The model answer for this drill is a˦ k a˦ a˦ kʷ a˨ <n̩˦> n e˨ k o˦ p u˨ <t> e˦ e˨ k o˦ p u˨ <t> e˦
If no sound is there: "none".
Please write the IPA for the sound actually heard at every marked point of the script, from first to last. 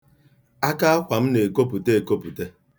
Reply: m̩˦, t, t

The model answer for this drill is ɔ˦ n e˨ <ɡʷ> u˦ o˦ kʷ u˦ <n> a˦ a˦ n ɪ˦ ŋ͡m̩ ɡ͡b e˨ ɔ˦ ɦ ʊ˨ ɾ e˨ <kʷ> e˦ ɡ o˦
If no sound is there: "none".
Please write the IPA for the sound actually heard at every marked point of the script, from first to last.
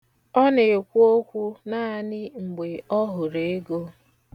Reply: kʷ, n, none

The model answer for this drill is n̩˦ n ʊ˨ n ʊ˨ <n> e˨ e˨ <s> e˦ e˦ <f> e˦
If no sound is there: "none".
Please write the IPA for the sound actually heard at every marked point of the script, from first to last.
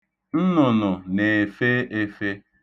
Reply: n, f, f

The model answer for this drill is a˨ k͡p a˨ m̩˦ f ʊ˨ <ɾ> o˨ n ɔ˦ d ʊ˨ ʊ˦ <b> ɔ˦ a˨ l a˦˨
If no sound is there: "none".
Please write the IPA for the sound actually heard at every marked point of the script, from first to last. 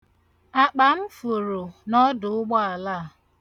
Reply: ɾ, ɡ͡b

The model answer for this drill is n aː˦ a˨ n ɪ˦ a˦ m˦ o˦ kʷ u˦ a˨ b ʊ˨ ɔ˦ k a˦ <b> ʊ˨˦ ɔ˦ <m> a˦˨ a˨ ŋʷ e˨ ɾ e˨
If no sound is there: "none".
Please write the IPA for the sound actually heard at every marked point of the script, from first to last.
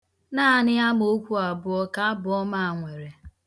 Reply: b, m

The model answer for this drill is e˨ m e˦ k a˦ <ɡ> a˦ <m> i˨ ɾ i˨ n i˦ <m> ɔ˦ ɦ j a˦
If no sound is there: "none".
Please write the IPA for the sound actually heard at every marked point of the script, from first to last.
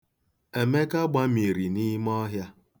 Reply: ɡ͡b, m, m

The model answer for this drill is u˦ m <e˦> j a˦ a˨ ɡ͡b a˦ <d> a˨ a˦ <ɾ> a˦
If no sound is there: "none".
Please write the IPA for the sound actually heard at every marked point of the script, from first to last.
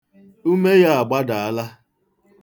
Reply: e˦, d, l

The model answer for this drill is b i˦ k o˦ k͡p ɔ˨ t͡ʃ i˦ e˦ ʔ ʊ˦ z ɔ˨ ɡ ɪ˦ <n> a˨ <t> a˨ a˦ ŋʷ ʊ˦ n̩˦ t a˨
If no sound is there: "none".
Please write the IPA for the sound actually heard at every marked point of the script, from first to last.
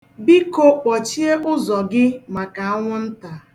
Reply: m, k

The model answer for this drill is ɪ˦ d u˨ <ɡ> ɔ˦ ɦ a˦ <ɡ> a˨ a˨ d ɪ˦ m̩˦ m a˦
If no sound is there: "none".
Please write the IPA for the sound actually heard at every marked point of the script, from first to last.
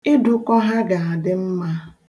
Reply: k, ɡ

